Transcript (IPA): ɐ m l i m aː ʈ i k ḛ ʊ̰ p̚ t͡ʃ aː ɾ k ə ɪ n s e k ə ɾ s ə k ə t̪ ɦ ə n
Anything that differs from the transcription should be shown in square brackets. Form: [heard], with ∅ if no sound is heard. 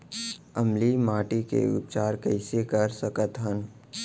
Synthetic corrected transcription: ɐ m l i m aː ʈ i k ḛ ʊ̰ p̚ t͡ʃ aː ɾ k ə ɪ [∅] s e k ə ɾ s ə k ə t̪ ɦ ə n